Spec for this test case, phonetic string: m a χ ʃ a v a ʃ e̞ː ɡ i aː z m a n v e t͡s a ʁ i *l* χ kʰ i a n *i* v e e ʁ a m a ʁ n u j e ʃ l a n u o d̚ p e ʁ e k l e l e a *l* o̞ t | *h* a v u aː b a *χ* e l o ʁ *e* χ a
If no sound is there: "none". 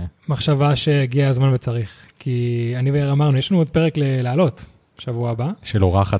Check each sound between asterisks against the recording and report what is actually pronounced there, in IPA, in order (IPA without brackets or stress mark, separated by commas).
none, i, l, ʃ, ʃ, a